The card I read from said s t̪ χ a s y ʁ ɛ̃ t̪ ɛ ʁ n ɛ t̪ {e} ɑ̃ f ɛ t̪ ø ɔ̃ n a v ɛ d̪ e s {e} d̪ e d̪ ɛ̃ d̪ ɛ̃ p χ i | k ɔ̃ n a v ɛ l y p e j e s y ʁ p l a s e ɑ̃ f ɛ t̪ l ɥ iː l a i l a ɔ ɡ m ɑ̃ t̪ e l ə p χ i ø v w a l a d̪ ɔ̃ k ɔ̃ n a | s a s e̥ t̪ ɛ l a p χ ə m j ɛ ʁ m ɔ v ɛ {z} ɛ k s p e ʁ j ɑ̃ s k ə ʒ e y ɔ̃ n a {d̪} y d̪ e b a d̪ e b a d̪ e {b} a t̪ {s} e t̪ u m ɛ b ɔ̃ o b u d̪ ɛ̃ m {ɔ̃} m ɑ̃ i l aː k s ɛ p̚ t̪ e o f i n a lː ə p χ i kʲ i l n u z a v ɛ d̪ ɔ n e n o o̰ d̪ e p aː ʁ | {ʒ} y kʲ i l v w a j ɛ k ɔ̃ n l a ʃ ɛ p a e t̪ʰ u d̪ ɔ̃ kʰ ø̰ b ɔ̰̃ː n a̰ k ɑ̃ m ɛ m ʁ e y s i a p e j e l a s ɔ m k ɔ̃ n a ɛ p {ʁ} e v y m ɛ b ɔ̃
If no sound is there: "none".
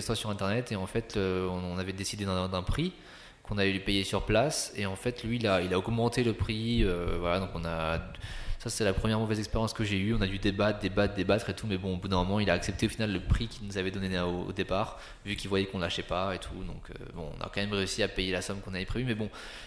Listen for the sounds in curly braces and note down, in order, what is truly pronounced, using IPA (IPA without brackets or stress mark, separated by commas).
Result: e, i, z, d̪, b, χ, ɔ, v, χ